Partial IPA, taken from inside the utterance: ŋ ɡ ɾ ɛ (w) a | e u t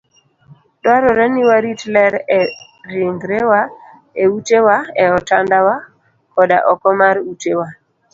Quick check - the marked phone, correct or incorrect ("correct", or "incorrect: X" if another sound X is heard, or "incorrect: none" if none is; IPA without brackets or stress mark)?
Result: correct